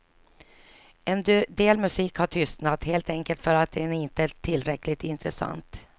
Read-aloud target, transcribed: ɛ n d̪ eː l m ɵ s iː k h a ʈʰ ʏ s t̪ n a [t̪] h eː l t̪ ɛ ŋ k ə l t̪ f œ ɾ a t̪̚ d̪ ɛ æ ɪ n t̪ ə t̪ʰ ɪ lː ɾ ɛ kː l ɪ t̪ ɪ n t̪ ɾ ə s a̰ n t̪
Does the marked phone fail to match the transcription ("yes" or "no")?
no